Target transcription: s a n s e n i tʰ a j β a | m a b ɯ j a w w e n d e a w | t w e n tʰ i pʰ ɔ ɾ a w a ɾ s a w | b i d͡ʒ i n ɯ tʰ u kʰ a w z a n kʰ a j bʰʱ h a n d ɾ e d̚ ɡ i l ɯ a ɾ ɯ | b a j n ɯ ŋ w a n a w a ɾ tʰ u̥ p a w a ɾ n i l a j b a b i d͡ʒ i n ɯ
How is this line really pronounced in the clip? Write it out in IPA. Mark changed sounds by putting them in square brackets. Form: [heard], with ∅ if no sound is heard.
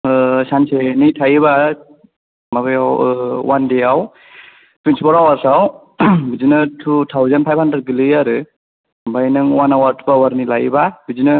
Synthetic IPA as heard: s a n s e n i tʰ a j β a | m a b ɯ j a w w [a] n d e a w | t w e n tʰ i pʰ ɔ ɾ a w a ɾ s a w | b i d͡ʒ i n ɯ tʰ u [tʰ] a w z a n [pʰ] a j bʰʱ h a n d ɾ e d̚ ɡ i l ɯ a ɾ ɯ | b a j n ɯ ŋ w a n a w a ɾ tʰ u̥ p a w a ɾ n i l a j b a b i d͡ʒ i n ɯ